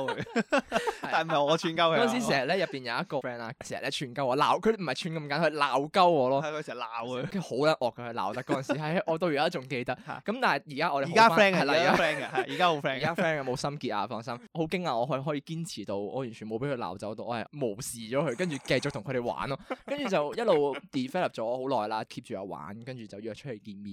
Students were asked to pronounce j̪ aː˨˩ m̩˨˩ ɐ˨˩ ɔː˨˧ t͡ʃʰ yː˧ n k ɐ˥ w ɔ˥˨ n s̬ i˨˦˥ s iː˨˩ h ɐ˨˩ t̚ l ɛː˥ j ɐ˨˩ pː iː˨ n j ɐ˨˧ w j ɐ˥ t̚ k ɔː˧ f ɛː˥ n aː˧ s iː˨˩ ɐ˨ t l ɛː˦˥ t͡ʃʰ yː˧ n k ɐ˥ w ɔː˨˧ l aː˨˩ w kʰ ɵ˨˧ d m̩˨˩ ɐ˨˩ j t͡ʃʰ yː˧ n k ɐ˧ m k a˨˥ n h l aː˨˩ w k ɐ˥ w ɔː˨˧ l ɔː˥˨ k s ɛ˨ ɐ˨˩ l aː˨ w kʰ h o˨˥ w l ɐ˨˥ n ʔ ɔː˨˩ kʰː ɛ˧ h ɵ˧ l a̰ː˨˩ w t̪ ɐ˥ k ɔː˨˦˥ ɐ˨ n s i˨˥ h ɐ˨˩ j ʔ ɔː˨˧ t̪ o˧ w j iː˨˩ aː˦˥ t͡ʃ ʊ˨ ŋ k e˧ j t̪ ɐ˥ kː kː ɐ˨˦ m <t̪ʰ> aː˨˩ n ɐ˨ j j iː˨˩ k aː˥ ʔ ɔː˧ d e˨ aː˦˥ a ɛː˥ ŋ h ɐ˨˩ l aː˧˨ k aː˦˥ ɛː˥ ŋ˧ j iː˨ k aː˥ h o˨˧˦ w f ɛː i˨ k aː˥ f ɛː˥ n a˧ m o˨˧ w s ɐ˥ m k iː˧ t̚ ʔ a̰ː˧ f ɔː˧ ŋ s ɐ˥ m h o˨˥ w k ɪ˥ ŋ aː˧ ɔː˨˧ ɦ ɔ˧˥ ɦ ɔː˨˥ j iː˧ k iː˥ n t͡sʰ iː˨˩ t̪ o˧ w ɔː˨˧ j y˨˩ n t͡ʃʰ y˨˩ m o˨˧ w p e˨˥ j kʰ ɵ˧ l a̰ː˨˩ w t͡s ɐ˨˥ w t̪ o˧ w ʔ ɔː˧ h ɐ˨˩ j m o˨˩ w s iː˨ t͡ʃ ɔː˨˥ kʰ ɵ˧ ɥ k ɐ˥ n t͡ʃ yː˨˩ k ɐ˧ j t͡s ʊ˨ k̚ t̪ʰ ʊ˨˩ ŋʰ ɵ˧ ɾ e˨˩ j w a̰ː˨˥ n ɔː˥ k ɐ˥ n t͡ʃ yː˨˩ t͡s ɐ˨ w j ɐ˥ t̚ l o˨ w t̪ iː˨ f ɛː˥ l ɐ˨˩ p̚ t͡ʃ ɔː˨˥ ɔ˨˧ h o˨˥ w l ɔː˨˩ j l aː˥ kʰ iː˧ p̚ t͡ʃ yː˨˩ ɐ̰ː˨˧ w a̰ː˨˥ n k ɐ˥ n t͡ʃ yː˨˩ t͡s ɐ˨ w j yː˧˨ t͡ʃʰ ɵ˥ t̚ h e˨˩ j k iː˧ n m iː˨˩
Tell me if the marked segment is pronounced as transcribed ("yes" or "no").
no